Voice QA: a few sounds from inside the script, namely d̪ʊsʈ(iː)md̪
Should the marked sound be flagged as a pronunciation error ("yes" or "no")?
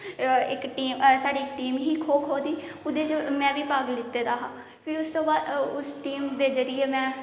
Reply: no